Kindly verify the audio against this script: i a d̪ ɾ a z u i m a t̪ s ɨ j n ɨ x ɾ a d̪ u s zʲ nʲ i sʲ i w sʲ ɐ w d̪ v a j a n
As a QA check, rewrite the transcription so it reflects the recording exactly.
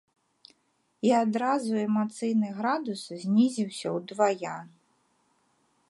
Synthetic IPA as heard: i a d̪ ɾ a z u ɛ m a t̪ s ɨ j n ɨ ɣ ɾ a d̪ u s zʲ nʲ i zʲ i w sʲ ɐ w d̪ v a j a n

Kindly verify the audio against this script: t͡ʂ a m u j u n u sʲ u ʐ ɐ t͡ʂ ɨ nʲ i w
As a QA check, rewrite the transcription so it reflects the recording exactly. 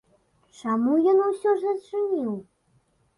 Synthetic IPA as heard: t͡ʂ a m u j ɔ n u sʲ ɔ ʐ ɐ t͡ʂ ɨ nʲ i w

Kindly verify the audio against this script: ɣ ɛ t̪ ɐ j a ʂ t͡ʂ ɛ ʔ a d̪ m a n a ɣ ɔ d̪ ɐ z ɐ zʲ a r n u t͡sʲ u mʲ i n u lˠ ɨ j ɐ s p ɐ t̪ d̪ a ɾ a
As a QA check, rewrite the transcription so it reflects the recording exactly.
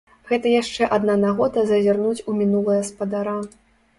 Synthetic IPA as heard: ɣ ɛ t̪ ɐ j a ʂ t͡ʂ ɛ ʔ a d̪ n a n a ɣ ɔ d̪ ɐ z ɐ zʲ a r n u t͡sʲ u mʲ i n u lˠ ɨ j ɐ s p ɐ d̪ a ɾ a

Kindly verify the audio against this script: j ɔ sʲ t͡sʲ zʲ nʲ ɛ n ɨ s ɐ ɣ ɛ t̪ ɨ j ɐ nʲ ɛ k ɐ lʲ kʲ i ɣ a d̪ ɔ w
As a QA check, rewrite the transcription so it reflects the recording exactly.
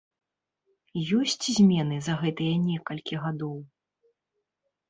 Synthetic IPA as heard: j ɔ sʲ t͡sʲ zʲ mʲ ɛ n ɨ z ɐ ɣ ɛ t̪ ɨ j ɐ nʲ ɛ k ɐ lʲ kʲ i ɣ a d̪ ɔ w

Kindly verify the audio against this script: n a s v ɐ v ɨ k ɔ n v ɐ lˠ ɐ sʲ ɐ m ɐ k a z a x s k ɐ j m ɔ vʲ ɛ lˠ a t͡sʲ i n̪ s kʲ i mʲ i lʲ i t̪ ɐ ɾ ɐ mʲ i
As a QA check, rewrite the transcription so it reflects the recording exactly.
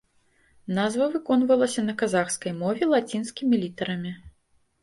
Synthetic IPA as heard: n a z v ɐ v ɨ k ɔ n v ɐ lˠ ɐ sʲ ɐ n ɐ k a z a x s k ɐ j m ɔ vʲ ɛ lˠ a t͡sʲ i n̪ s kʲ i mʲ i lʲ i t̪ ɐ ɾ ɐ mʲ i

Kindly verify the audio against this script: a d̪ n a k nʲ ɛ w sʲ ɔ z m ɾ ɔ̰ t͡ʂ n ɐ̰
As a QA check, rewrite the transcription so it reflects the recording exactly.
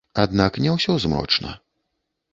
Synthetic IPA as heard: a d̪ n a k nʲ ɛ w sʲ ɔ z m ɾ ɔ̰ t͡ʂ n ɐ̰

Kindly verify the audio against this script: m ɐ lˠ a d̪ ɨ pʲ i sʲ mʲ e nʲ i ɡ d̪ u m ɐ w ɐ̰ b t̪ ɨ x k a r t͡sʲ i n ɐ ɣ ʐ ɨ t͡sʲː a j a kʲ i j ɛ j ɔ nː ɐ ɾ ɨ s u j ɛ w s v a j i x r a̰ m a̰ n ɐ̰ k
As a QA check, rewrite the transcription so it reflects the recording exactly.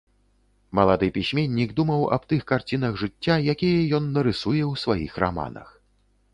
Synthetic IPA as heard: m ɐ lˠ a d̪ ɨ pʲ i sʲ mʲ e nʲː i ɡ d̪ u m ɐ w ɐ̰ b t̪ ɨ x k a r t͡sʲ i n ɐ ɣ ʐ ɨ t͡sʲː a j a kʲ i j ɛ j ɔ nː ɐ ɾ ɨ s u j ɛ w s v a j i x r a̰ m a̰ n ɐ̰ x

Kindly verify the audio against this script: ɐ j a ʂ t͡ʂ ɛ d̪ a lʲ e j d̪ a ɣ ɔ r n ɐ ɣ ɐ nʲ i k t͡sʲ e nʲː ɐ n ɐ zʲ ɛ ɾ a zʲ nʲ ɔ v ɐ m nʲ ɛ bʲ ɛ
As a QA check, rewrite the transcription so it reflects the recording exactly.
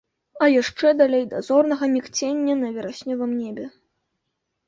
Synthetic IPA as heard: ɐ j a ʂ t͡ʂ ɛ d̪ a lʲ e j d̪ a z ɔ r n ɐ ɣ ɐ mʲ i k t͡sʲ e nʲː ɐ n ɐ vʲ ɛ ɾ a sʲ nʲ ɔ v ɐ m nʲ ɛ bʲ ɛ

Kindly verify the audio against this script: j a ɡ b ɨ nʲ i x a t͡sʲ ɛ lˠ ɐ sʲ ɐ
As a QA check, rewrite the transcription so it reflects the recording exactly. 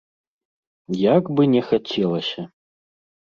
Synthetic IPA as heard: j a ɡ b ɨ nʲ ɛ x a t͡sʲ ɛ lˠ ɐ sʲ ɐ

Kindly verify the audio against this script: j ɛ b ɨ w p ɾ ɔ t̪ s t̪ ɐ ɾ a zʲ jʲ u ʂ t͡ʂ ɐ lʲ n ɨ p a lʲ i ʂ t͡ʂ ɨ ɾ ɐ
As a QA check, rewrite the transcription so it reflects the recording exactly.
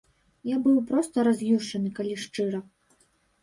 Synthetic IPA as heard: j a b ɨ w p ɾ ɔ s t̪ ɐ ɾ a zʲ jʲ u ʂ t͡ʂ ɐ n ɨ k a lʲ i ʂ t͡ʂ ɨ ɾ ɐ

